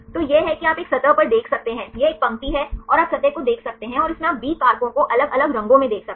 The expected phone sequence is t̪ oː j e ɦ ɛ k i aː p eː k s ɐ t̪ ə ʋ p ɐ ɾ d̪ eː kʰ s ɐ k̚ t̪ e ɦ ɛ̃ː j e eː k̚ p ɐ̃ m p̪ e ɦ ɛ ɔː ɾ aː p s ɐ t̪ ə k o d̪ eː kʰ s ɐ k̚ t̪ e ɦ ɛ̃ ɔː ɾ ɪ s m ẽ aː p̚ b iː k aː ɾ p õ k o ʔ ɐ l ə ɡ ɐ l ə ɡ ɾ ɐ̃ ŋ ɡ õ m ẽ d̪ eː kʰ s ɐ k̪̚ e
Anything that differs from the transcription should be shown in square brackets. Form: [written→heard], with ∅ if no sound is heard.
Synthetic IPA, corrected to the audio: t̪ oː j e ɦ ɛ k i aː p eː k s ɐ t̪ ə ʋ p ɐ ɾ d̪ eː kʰ s ɐ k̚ t̪ e ɦ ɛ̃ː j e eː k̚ p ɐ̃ m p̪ [e→i] ɦ ɛ ɔː ɾ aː p s ɐ t̪ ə k o d̪ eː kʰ s ɐ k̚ t̪ e ɦ ɛ̃ ɔː ɾ ɪ s m ẽ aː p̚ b iː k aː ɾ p õ k o ʔ ɐ l ə ɡ ɐ l ə ɡ ɾ ɐ̃ ŋ ɡ õ m ẽ d̪ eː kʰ s ɐ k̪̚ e